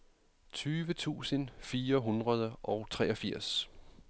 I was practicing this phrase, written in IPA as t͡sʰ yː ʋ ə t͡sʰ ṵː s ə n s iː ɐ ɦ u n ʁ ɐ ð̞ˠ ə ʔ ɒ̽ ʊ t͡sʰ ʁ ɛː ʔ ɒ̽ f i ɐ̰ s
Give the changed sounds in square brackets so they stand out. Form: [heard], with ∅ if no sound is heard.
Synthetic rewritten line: t͡sʰ yː ʋ ə t͡sʰ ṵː s ə n [f] iː ɐ ɦ u n ʁ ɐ ð̞ˠ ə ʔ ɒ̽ ʊ t͡sʰ ʁ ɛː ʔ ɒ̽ f i ɐ̰ s